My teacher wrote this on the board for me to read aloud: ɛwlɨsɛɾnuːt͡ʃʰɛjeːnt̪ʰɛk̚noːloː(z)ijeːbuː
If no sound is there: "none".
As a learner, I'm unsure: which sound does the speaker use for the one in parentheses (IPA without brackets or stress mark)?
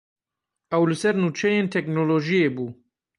ʒ